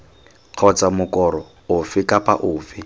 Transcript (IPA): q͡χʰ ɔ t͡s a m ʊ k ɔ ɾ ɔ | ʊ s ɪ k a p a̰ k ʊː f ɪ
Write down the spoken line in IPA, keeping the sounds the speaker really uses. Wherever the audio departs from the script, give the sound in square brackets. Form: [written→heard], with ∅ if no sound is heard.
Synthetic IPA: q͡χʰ ɔ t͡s a m ʊ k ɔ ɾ ɔ | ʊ [s→f] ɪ k a p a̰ [k→ʔ] ʊː f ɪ